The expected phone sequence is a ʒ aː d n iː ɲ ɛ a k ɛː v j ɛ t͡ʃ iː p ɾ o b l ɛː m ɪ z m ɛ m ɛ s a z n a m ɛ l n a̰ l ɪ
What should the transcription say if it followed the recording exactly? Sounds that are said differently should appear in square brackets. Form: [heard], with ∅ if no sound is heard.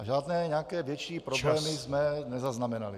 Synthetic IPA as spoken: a ʒ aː d n [ɛː] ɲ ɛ a k ɛː v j ɛ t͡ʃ iː p ɾ o b l ɛː m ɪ z m ɛ [n] ɛ [z] a z n a m ɛ [∅] n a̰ l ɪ

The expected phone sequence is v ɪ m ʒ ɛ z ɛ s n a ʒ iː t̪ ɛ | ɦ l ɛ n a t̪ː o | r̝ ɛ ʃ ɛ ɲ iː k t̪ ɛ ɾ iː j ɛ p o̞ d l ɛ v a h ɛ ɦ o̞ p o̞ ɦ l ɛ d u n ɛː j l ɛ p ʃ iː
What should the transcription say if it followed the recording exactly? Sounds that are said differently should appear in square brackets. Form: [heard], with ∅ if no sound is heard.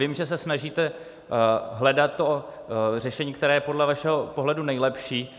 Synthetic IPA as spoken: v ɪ m ʒ ɛ [s] ɛ s n a ʒ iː t̪ ɛ | ɦ l ɛ [d] a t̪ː o | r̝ ɛ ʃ ɛ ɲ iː k t̪ ɛ ɾ [ɛː] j ɛ p o̞ d l ɛ v a [ʃ] ɛ ɦ o̞ p o̞ ɦ l ɛ d u n [ɛ] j l ɛ p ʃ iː

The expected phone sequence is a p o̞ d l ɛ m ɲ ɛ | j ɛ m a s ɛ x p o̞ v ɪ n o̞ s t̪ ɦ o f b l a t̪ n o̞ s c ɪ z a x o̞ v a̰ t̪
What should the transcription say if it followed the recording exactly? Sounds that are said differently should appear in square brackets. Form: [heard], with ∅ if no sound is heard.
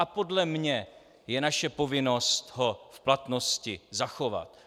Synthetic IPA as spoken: a p o̞ d l ɛ m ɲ ɛ | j ɛ [n] a [ʃ] ɛ [∅] p o̞ v ɪ n o̞ s t̪ ɦ o f [p] l a t̪ n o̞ s c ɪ z a x o̞ v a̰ t̪

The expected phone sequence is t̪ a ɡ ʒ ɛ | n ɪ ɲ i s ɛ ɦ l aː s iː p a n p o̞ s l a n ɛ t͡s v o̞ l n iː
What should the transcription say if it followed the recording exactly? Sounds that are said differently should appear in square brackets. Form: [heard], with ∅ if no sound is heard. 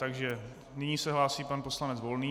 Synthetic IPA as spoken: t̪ a ɡ ʒ ɛ | n ɪ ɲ i s ɛ ɦ l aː s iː p a n p o̞ s l a n ɛ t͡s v o̞ l n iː

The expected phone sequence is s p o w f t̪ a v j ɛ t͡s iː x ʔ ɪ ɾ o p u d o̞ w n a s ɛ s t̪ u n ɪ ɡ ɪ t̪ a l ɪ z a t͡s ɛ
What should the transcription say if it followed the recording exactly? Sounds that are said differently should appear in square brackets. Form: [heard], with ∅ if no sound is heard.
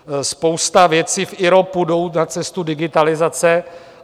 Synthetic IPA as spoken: s p o w [s] t̪ a v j ɛ t͡s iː [f] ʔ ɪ ɾ o p u d o̞ w n a [t͡s] ɛ s t̪ u [d] ɪ ɡ ɪ t̪ a l ɪ z a t͡s ɛ

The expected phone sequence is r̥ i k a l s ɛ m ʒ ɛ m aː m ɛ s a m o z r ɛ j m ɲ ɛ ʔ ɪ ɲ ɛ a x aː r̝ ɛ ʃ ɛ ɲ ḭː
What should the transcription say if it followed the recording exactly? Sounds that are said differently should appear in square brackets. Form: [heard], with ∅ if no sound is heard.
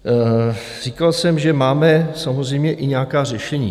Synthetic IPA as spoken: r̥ i k a l s ɛ m ʒ ɛ m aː m ɛ s a m o z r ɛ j m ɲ ɛ ʔ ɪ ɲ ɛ a [k] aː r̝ ɛ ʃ ɛ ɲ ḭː

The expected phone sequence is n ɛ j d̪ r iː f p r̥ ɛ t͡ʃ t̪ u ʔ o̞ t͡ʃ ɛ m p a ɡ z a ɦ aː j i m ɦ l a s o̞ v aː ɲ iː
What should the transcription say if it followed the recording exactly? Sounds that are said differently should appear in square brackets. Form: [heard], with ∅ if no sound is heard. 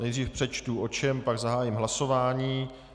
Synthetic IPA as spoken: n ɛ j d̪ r iː f p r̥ ɛ t͡ʃ t̪ u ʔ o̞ t͡ʃ ɛ m p a ɡ z a ɦ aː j i m ɦ l a s o̞ v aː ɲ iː

